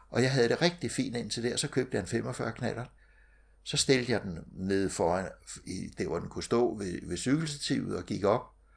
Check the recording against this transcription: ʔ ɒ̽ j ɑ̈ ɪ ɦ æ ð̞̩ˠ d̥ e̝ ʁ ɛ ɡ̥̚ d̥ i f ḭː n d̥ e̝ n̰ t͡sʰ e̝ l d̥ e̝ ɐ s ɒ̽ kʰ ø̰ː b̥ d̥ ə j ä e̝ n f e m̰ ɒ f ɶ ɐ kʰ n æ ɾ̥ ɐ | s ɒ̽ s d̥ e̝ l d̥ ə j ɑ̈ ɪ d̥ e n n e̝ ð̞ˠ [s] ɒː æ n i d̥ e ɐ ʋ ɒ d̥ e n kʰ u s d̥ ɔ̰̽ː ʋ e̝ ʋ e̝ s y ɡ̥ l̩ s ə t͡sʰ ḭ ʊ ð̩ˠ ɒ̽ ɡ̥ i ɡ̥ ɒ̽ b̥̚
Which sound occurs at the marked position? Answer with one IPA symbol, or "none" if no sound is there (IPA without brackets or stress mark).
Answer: f